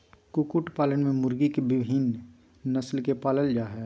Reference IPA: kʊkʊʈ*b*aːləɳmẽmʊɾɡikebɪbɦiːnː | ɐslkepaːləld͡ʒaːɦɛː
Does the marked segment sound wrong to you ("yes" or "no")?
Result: yes